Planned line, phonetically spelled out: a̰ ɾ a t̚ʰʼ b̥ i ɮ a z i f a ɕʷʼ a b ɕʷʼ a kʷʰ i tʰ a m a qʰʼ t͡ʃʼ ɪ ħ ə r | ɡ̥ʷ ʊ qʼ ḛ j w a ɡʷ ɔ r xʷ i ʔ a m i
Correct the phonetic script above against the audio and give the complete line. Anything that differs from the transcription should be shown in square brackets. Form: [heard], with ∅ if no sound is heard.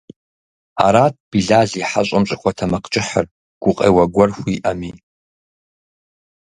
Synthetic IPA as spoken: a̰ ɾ a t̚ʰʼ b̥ i ɮ a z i [ħ] a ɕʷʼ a [m] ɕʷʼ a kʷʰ [a] tʰ a m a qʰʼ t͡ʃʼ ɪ ħ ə r | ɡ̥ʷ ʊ qʼ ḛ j w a ɡʷ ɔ r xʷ i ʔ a m i